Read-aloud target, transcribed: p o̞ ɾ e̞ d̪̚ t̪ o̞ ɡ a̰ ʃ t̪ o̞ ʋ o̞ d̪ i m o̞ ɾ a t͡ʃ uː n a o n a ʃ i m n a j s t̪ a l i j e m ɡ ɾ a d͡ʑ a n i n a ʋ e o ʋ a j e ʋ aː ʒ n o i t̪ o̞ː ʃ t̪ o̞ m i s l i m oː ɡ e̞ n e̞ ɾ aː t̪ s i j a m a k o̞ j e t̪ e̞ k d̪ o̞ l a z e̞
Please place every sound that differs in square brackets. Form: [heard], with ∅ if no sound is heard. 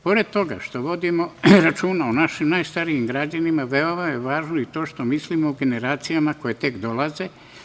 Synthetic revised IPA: p o̞ ɾ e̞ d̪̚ t̪ o̞ ɡ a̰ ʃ t̪ o̞ ʋ o̞ d̪ i m o̞ ɾ a t͡ʃ uː n a o n a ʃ i m n a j s t̪ a [ɾ] i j [i] m ɡ ɾ a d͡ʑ a n i [m] a ʋ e o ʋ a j e ʋ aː ʒ n o i t̪ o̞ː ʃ t̪ o̞ m i s l i m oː ɡ e̞ n e̞ ɾ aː t̪ s i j a m a k o̞ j e t̪ e̞ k d̪ o̞ l a z e̞